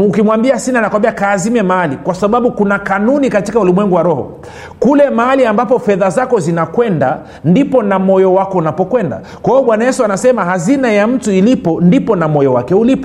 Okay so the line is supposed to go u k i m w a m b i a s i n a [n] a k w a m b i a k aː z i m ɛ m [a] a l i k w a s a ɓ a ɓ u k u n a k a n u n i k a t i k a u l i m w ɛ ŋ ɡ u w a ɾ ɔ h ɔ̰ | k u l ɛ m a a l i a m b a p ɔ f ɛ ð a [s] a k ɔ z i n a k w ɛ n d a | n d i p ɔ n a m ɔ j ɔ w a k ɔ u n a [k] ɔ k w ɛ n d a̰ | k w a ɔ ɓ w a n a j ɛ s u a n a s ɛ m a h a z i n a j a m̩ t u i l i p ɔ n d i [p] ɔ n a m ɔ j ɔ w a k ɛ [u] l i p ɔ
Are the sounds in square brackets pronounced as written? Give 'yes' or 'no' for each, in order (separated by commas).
yes, yes, no, no, yes, yes